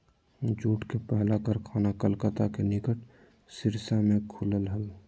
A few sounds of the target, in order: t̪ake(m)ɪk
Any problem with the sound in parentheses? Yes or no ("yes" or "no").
yes